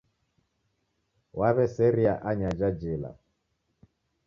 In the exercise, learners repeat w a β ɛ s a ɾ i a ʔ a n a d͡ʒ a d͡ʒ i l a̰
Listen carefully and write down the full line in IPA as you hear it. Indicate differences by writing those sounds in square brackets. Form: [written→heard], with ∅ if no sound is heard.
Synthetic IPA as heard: w a β ɛ s [a→ɛ] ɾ i a ʔ a [n→ɲ] a d͡ʒ a d͡ʒ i l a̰